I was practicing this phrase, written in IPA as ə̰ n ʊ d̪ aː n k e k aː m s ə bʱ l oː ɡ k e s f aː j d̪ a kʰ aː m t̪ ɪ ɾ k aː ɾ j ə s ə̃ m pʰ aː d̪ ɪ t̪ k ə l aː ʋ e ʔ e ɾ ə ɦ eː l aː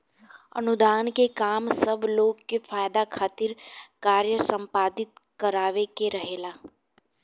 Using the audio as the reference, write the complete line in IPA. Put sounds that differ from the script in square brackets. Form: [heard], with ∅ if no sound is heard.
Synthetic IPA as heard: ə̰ n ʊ d̪ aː n k e k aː m s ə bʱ l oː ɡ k e [∅] f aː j d̪ a kʰ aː [∅] t̪ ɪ ɾ k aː ɾ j ə s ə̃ m [p] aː d̪ ɪ t̪ k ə [ɾ] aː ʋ e [k] e ɾ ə ɦ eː l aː

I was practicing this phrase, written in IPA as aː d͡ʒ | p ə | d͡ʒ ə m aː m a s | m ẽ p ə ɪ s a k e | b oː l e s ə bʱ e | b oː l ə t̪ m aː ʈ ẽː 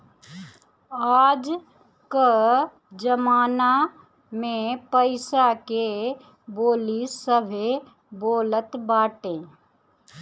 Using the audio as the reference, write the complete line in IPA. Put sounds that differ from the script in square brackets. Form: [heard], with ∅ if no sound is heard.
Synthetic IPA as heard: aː d͡ʒ | [k] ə | d͡ʒ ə m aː [n] a [∅] | m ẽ p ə ɪ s a k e | b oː l [i] s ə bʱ e | b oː l ə t̪ [b] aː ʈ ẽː

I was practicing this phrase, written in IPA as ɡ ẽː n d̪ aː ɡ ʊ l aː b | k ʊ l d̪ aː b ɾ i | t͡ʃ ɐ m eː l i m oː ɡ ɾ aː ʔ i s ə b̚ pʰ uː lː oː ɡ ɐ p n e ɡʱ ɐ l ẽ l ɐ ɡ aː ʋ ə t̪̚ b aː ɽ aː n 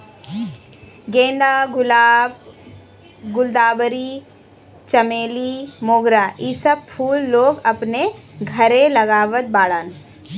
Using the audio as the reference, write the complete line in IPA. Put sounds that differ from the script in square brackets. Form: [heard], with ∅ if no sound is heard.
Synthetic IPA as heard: ɡ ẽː n d̪ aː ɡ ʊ l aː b | [ɡ] ʊ l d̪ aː b ɾ i | t͡ʃ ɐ m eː l i m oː ɡ ɾ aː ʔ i s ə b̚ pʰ uː lː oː ɡ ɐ p n e ɡʱ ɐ [ɾ] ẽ l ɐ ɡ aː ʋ ə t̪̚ b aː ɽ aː n

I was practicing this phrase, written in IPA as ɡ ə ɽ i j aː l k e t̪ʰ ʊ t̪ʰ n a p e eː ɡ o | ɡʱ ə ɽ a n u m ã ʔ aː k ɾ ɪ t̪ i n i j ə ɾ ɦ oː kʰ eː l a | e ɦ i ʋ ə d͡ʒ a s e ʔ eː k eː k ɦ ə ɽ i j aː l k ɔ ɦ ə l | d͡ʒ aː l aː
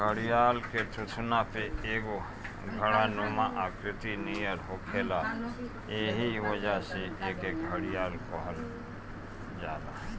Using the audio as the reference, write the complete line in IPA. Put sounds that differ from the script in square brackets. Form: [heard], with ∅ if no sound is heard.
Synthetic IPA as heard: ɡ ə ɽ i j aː l k e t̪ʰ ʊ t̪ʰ n a p e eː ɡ o | ɡʱ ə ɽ a n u m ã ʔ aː k ɾ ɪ t̪ i n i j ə ɾ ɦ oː kʰ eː l a | e ɦ i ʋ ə d͡ʒ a s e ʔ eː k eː k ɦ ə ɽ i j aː l k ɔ ɦ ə l | d͡ʒ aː l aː

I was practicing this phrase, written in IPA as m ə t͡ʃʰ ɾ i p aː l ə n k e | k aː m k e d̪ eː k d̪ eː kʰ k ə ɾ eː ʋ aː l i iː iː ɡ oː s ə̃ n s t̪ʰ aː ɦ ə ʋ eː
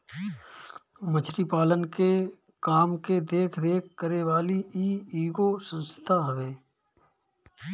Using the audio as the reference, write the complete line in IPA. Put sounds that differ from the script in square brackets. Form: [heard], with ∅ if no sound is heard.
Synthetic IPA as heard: m ə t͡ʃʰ ɾ i p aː l ə n k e | k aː m k e d̪ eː [kʰ] d̪ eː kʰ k ə ɾ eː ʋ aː l i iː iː ɡ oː s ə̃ n s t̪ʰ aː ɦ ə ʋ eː

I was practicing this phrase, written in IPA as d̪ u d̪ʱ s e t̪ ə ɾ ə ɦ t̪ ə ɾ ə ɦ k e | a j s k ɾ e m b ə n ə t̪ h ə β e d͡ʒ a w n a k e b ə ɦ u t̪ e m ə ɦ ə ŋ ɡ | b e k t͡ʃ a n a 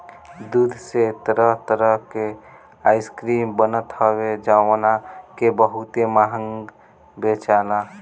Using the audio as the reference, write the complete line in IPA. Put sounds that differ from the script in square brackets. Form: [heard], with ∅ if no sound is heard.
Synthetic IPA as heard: d̪ u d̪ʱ s e t̪ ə ɾ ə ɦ t̪ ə ɾ ə ɦ k e | a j s k ɾ [i] m b ə n ə t̪ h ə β e d͡ʒ a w n a k e b ə ɦ u t̪ e m [a] ɦ ə ŋ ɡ | b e [∅] t͡ʃ a n a

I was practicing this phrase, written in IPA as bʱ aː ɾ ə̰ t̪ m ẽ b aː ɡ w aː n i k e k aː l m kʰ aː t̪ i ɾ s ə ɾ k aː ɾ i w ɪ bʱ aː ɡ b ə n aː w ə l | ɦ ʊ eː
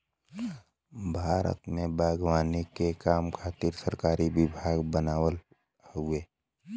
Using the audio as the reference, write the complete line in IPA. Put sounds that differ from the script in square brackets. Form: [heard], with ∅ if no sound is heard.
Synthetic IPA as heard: bʱ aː ɾ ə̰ t̪ m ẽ b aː ɡ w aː n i k e k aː [∅] m kʰ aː t̪ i ɾ s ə ɾ k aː ɾ i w ɪ bʱ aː ɡ b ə n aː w ə l | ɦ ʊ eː

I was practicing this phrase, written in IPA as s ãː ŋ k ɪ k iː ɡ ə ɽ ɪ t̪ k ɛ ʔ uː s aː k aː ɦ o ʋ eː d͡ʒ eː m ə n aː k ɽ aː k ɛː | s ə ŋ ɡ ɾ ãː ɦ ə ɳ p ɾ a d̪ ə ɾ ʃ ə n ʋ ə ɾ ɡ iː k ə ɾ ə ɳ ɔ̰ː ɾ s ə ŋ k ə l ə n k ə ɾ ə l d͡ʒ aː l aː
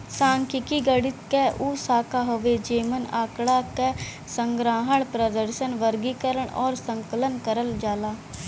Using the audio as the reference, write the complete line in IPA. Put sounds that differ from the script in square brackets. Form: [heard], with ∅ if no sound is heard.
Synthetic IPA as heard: s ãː ŋ k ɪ k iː ɡ ə ɽ ɪ t̪ k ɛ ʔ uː s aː k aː ɦ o ʋ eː d͡ʒ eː m ə n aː k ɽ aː k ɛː | s ə ŋ ɡ ɾ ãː ɦ ə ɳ p ɾ [ə] d̪ ə ɾ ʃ ə n ʋ ə ɾ ɡ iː k ə ɾ ə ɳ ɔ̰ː ɾ s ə ŋ k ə l ə n k ə ɾ ə l d͡ʒ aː l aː

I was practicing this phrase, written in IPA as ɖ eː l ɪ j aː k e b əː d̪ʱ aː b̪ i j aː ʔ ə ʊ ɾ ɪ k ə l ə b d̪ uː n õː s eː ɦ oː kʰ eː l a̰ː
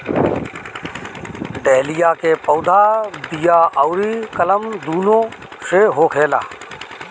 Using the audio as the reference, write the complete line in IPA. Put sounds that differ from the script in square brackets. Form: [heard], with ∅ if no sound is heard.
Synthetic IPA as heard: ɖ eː l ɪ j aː k e [p] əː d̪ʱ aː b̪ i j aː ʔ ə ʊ ɾ [i] k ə l ə [m] d̪ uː n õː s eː ɦ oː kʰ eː l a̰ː

